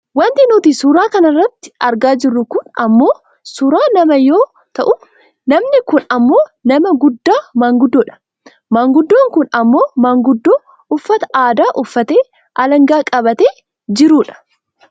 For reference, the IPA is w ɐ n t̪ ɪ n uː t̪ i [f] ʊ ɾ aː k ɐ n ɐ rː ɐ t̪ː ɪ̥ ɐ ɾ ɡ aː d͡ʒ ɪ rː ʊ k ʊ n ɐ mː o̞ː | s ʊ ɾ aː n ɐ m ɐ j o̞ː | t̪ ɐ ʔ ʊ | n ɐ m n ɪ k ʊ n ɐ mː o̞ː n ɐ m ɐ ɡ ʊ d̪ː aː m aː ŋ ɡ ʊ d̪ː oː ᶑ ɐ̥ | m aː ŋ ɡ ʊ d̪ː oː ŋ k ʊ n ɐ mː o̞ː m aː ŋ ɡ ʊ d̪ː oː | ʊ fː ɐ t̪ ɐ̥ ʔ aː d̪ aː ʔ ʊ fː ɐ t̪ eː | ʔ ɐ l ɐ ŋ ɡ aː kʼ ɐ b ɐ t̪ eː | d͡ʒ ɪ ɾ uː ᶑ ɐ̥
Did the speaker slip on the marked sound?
yes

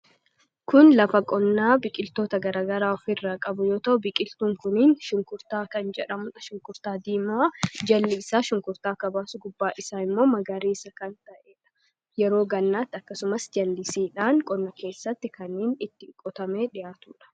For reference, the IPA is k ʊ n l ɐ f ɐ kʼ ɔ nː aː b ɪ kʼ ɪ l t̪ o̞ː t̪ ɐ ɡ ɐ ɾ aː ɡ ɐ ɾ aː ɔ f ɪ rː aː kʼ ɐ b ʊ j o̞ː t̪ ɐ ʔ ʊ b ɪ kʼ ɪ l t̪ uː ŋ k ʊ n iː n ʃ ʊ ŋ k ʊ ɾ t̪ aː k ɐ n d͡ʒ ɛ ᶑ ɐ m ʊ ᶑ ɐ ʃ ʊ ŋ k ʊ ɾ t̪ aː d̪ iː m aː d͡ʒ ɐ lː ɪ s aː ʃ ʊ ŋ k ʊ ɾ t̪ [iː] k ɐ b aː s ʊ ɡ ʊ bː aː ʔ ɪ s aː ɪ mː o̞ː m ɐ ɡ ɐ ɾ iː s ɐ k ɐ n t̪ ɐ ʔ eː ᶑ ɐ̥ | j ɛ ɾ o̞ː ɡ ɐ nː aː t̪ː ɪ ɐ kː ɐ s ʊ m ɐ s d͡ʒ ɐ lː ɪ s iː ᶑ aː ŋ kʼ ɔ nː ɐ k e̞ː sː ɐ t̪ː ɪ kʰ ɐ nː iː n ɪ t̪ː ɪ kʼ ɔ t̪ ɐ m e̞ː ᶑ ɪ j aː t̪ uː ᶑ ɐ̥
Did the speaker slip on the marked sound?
yes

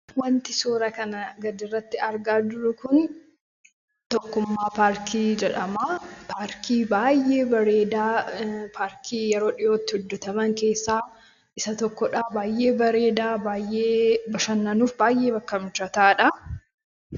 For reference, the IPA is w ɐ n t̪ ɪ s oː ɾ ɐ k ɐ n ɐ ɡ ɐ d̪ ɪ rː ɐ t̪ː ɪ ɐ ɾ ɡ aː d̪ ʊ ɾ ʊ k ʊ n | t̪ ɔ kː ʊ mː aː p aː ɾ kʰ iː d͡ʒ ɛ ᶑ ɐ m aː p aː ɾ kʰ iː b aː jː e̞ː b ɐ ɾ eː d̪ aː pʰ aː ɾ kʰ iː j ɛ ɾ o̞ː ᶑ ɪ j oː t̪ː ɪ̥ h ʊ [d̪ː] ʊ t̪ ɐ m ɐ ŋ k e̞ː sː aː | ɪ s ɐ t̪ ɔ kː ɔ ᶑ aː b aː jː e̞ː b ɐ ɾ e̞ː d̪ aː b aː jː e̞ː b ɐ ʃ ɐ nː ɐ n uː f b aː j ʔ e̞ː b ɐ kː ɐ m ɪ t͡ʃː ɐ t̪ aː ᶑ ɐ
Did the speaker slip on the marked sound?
no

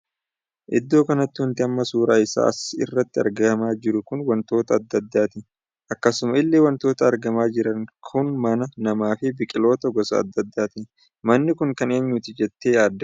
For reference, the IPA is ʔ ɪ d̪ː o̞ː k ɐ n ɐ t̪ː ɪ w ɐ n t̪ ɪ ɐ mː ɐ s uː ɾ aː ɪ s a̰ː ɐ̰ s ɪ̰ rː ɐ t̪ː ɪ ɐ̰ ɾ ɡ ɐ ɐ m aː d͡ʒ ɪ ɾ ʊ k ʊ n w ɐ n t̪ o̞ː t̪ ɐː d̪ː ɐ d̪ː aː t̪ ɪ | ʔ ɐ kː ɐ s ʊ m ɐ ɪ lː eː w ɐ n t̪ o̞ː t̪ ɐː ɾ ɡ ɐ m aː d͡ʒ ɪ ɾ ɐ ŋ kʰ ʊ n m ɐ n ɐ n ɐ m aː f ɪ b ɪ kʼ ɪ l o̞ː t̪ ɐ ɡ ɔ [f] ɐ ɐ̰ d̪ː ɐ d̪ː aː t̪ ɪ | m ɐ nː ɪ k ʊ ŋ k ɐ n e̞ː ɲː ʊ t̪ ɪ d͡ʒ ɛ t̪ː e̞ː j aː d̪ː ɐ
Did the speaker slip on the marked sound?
yes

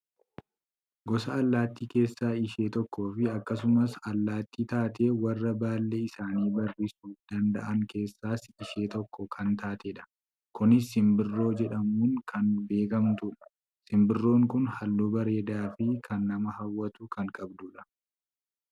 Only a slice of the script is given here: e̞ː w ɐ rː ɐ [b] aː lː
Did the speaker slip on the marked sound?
no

